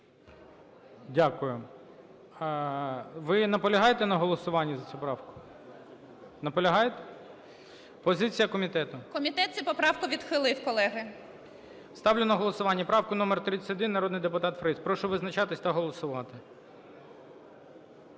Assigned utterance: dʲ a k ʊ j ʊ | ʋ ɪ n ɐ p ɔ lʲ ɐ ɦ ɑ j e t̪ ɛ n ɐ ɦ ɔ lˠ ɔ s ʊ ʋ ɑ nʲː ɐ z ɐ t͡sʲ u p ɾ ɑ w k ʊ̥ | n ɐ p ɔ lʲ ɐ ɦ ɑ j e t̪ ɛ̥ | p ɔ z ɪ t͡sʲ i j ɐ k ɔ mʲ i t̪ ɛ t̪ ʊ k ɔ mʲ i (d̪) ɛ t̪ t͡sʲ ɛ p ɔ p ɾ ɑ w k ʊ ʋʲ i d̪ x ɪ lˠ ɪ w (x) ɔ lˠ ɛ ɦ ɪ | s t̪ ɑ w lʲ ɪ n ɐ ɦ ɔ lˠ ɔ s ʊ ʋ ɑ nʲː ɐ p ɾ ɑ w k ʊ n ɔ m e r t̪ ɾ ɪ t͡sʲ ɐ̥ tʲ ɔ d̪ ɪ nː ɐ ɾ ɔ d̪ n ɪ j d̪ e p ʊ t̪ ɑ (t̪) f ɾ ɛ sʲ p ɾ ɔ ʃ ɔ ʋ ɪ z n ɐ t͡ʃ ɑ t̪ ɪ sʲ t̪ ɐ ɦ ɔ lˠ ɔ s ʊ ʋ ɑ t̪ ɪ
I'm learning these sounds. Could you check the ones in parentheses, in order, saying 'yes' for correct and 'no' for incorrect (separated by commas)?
no, no, yes